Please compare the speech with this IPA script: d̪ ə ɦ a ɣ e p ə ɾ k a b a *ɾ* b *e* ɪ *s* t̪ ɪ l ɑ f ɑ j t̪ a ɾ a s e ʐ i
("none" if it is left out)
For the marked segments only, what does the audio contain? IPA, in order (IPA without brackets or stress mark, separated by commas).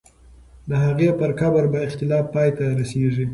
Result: ɾ, a, x